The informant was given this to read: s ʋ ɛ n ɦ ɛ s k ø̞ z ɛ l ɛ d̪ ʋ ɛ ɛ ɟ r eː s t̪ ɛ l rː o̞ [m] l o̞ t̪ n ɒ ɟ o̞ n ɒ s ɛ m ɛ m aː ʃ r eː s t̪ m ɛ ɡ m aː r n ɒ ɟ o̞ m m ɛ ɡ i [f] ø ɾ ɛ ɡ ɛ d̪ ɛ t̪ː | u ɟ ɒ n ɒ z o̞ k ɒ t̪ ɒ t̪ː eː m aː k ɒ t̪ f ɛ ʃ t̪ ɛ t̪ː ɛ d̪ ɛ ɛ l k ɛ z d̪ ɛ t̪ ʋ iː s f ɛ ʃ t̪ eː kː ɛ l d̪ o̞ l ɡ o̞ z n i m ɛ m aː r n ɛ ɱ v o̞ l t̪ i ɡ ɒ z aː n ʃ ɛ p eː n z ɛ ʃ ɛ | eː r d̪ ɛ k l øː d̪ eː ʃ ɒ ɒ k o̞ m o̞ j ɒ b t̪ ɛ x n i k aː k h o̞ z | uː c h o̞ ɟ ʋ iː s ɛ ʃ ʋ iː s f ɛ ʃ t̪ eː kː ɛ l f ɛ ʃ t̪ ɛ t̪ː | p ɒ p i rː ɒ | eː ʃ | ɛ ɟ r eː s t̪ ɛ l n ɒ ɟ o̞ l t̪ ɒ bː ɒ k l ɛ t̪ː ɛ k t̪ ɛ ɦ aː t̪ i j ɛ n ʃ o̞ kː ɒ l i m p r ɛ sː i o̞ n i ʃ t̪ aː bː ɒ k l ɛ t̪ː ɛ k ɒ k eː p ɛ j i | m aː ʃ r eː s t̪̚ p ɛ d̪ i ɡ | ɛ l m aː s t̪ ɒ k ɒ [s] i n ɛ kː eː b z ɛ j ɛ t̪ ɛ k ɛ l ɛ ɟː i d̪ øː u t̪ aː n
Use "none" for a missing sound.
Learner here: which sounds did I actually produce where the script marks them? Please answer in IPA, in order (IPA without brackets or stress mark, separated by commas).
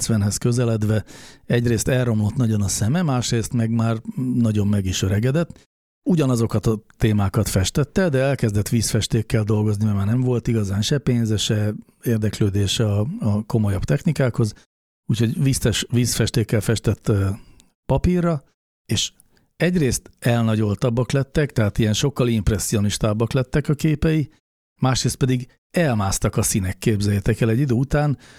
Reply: m, ʃ, s